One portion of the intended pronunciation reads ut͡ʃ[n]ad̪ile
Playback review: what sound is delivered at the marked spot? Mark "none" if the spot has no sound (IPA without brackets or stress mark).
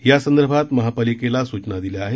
n